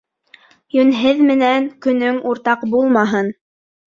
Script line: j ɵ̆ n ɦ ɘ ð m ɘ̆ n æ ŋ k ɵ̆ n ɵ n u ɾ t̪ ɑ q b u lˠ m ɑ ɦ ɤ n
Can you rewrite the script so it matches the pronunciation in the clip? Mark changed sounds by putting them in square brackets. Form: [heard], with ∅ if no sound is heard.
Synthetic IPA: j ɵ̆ n ɦ ɘ ð m ɘ̆ n æ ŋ k ɵ̆ n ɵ [ŋ] u ɾ t̪ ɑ q b u lˠ m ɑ ɦ ɤ n